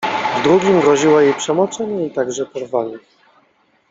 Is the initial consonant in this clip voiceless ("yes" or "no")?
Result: no